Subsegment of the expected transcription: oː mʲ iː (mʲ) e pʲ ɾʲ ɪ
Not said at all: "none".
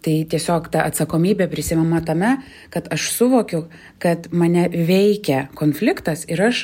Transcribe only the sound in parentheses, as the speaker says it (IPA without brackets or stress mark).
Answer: bʲ